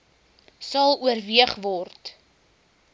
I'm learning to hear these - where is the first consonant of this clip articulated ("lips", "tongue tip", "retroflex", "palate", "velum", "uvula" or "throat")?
tongue tip